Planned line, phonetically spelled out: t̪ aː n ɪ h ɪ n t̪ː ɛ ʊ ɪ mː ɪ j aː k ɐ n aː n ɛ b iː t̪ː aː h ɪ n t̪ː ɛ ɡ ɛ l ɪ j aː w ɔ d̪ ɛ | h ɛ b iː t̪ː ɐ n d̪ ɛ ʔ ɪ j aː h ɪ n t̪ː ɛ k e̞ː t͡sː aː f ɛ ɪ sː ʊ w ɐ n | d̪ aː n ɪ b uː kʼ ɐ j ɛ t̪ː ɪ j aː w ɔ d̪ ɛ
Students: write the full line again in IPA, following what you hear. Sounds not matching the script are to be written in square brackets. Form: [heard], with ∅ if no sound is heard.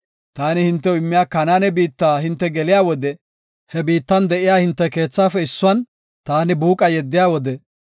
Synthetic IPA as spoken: t̪ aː n ɪ h ɪ n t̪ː ɛ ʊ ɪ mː ɪ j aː k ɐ n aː n ɛ b iː t̪ː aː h ɪ n t̪ː ɛ ɡ ɛ l ɪ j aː w ɔ d̪ ɛ | h ɛ b iː t̪ː ɐ n d̪ ɛ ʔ ɪ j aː h ɪ n t̪ː ɛ k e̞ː t͡sː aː f ɛ ɪ sː ʊ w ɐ n | [t̪] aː n ɪ b uː kʼ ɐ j ɛ [d̪ː] ɪ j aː w ɔ d̪ ɛ